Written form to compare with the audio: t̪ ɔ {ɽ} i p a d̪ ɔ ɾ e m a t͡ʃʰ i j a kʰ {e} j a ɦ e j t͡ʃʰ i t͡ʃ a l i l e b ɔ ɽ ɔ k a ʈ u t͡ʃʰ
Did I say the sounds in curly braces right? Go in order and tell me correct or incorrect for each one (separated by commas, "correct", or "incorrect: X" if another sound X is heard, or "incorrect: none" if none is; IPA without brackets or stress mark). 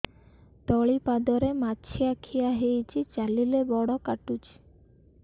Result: incorrect: ɭ, incorrect: i